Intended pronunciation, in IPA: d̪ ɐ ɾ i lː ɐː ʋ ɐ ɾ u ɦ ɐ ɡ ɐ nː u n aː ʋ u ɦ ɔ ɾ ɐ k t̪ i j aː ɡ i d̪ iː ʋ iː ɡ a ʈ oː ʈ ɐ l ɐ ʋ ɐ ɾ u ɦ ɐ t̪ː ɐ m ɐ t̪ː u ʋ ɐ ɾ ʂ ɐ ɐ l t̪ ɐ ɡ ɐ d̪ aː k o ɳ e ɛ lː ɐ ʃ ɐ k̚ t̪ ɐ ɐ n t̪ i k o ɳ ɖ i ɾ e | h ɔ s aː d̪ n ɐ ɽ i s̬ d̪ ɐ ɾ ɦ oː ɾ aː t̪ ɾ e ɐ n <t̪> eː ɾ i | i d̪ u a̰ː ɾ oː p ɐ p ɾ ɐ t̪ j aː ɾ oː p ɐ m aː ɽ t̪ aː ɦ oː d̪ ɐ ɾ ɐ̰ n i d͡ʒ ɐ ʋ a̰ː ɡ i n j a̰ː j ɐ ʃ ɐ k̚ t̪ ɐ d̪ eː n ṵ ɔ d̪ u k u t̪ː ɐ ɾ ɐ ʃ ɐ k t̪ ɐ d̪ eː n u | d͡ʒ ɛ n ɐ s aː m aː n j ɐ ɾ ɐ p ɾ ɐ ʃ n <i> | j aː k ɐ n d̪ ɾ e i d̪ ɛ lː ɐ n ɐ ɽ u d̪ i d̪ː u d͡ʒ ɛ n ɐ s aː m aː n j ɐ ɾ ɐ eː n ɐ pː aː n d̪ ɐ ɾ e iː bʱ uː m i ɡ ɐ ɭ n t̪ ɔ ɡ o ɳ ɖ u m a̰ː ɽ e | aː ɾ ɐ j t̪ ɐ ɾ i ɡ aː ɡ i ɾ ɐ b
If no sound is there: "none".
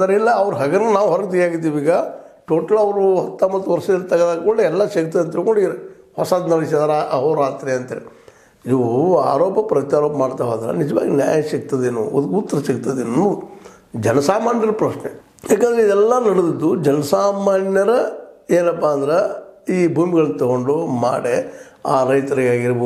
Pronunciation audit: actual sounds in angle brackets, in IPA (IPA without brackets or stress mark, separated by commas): t̪, e